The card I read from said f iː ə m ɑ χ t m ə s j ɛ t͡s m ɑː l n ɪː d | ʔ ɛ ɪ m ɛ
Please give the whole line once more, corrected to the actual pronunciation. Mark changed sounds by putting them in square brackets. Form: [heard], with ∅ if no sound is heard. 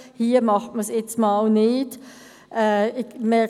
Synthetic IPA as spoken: [h] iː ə m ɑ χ t m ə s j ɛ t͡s m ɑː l n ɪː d | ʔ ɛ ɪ m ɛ